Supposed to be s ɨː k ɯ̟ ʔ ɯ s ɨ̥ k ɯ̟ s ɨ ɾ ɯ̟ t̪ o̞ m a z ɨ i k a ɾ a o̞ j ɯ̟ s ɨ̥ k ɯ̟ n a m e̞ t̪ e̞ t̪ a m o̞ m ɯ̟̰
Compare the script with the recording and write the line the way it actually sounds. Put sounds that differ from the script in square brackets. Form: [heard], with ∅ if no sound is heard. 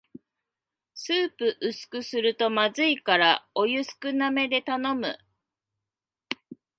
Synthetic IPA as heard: s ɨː [p] ɯ̟ ʔ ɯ s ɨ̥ k ɯ̟ s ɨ ɾ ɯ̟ t̪ o̞ m a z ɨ i k a ɾ a o̞ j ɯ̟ s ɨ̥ k ɯ̟ n a m e̞ [d̪] e̞ t̪ a [n] o̞ m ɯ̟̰